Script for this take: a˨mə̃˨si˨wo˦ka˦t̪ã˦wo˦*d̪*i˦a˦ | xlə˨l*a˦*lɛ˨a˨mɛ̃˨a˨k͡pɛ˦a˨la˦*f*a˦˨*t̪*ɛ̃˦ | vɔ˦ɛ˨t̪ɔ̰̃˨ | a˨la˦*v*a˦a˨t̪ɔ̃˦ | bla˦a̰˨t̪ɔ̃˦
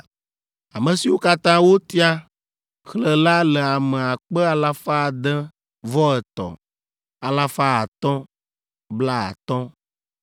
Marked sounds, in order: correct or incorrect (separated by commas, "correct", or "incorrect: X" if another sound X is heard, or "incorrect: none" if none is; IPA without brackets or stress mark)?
incorrect: t̪, correct, correct, incorrect: d̪, incorrect: f